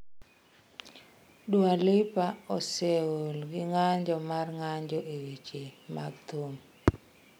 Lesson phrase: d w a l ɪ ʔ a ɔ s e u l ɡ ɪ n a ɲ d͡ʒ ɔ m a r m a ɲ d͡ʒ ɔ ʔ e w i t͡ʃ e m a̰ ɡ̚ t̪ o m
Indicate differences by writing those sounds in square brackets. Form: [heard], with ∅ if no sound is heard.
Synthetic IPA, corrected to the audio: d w a l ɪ [p] a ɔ s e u l ɡ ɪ [ŋ] a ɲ d͡ʒ ɔ m a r [ŋ] a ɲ d͡ʒ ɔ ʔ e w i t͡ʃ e m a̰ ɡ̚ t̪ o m

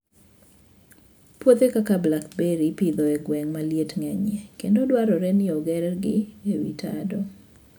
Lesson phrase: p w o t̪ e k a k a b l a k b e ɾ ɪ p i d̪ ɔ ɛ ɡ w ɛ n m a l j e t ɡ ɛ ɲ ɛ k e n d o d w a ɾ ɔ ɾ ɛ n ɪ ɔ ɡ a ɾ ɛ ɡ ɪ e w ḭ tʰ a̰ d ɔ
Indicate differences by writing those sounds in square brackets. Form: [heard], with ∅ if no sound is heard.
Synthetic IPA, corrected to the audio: p w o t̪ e k a k a b l a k b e ɾ [i] p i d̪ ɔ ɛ ɡ w ɛ [ŋ] m a l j e t [ŋ] ɛ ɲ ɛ k e n d o d w a ɾ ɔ ɾ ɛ n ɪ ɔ ɡ [ɛ] ɾ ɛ ɡ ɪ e w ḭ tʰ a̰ d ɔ

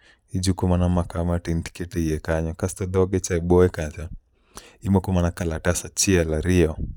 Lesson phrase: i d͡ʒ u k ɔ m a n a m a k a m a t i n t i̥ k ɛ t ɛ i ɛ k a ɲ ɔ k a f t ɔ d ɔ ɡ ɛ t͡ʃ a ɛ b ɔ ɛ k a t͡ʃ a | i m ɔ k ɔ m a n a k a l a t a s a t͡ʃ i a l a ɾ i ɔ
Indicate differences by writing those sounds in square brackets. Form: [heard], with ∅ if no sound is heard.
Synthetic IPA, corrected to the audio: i d͡ʒ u k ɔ m a n a m a k a m a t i n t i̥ k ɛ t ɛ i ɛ k a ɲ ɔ k a [s] t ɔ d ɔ ɡ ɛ t͡ʃ a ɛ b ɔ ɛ k a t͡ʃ a | i m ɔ k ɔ m a n a k a l a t a s a t͡ʃ i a l a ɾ i ɔ

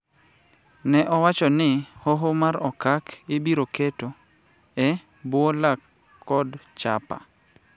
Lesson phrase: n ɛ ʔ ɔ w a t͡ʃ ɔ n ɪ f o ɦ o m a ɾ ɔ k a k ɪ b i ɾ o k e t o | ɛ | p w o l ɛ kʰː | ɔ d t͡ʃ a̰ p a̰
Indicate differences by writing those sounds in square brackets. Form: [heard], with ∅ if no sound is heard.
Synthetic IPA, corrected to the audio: n ɛ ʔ ɔ w a t͡ʃ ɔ n ɪ [h] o ɦ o m a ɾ ɔ k a k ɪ b i ɾ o k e t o | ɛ | [b] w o l [a] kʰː | ɔ d t͡ʃ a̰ p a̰

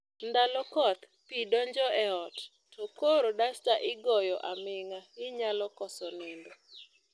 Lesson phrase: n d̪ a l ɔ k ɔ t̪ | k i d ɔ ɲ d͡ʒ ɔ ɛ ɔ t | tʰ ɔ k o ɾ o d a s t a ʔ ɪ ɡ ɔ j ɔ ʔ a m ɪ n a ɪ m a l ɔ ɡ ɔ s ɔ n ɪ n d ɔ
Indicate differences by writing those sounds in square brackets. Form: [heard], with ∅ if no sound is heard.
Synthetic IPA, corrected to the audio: n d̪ a l ɔ k ɔ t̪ | [p] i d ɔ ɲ d͡ʒ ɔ ɛ ɔ t | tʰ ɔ k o ɾ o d a s t a ʔ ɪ ɡ ɔ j ɔ ʔ a m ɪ [ŋ] a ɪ [ɲ] a l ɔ [k] ɔ s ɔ n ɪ n d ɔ

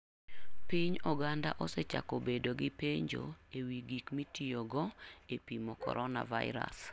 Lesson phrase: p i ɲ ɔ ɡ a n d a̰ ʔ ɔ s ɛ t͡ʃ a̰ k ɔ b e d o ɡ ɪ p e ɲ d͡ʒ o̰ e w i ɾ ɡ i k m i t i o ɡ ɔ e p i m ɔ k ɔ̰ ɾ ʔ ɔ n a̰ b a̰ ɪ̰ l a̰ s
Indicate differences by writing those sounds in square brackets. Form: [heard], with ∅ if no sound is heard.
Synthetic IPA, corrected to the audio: p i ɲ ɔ ɡ a n d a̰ ʔ ɔ s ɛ t͡ʃ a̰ k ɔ b e d o ɡ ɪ p e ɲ d͡ʒ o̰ e w i [∅] ɡ i k m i t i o ɡ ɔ e p i m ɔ k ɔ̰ ɾ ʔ ɔ n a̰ [v] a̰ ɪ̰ [ɾ] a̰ s

